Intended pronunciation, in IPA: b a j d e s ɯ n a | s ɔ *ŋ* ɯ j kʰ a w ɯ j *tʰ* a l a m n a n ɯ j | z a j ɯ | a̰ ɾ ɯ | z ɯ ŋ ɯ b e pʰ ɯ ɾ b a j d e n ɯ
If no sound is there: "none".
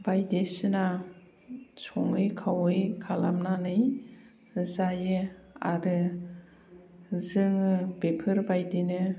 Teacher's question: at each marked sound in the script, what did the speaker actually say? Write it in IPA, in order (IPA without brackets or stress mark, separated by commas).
ŋ, kʰ